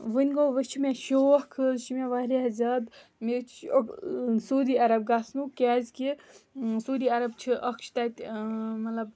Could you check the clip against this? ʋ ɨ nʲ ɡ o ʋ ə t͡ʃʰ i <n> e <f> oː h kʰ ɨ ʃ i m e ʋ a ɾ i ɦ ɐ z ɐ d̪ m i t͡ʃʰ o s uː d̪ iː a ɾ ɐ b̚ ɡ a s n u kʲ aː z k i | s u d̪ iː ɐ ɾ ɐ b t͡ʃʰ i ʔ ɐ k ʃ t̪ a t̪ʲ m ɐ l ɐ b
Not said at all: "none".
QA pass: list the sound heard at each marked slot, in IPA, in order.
m, ʃ

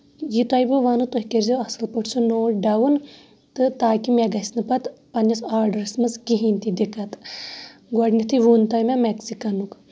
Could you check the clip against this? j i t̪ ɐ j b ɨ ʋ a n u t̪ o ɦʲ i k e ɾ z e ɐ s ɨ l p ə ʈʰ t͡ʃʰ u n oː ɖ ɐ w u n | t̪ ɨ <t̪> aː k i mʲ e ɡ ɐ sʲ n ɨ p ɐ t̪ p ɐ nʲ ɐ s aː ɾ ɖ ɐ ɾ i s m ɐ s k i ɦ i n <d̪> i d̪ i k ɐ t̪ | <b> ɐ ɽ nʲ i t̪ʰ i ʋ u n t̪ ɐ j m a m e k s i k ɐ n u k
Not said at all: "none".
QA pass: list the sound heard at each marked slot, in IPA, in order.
t̪, t̪, ɡ

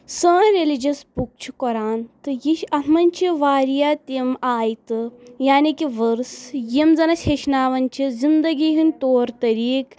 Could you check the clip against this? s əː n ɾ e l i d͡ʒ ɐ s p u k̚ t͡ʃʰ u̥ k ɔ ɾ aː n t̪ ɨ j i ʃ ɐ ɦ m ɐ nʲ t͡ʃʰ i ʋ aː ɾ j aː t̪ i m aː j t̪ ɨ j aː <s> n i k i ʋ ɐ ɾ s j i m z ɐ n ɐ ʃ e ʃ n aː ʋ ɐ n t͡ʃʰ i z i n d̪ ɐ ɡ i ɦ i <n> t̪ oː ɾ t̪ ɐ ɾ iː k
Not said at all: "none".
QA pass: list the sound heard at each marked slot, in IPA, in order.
none, n

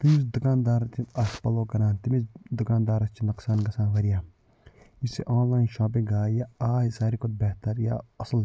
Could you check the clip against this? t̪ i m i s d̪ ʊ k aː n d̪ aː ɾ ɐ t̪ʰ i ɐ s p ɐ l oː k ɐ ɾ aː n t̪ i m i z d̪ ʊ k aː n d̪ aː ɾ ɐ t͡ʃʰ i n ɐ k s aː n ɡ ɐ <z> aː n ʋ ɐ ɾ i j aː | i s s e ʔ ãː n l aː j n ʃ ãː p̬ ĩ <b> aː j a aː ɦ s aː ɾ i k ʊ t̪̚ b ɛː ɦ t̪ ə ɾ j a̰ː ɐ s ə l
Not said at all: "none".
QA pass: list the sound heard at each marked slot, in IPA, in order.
s, ɡ

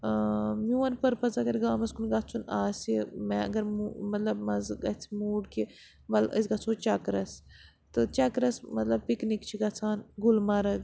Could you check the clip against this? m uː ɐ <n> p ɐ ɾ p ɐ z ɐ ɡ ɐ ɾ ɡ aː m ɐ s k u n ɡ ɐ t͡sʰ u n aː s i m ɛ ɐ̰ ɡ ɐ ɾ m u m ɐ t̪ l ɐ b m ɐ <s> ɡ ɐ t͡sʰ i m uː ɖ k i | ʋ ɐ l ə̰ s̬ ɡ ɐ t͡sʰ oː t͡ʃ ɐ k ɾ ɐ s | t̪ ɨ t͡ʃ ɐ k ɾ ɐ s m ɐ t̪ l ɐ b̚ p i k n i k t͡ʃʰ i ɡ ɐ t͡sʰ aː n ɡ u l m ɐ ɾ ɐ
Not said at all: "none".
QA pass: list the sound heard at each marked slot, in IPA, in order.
n, z

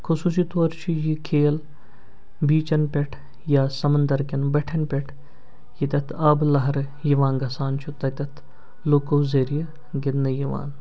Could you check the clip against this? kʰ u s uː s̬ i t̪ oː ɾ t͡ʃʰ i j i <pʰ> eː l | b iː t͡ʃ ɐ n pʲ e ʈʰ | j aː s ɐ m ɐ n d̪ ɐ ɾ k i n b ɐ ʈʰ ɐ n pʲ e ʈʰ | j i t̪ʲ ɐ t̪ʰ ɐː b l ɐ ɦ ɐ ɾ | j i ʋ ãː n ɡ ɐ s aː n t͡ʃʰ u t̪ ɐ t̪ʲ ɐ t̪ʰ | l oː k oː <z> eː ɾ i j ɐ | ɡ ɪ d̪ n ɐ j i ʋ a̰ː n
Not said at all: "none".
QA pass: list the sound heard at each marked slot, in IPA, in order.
kʰ, z

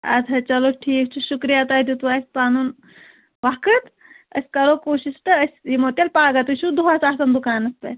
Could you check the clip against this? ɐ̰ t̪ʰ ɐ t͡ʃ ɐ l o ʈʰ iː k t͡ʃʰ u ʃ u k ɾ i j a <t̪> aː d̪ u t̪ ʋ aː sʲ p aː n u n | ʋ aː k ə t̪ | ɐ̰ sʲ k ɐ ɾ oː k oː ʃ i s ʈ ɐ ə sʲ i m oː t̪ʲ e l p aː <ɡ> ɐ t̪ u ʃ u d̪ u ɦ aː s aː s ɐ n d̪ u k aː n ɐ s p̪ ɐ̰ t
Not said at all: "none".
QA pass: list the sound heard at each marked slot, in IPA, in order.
t̪, ɡ

